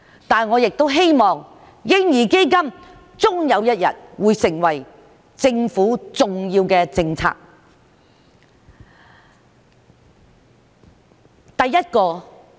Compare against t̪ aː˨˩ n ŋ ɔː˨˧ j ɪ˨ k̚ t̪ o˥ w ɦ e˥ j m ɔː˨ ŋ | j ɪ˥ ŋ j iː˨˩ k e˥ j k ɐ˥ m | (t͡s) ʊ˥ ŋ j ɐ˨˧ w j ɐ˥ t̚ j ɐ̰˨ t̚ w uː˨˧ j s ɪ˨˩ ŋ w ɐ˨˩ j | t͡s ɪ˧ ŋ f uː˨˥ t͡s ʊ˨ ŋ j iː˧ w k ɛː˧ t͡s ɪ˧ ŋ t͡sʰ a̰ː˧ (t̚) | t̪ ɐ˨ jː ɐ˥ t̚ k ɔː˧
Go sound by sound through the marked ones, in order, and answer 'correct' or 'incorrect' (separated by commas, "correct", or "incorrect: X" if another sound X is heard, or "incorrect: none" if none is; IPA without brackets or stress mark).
correct, incorrect: k̚